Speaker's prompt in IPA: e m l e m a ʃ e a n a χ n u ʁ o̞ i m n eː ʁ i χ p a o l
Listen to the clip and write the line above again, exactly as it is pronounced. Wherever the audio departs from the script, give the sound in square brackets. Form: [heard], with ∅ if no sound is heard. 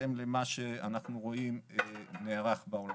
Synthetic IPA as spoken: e m l e m a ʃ e a n a χ n u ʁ o̞ i m n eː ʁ [a] χ [b] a o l